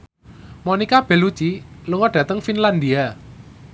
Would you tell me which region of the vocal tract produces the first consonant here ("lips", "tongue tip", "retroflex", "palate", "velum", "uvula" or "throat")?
lips